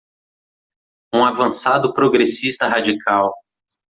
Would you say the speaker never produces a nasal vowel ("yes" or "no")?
no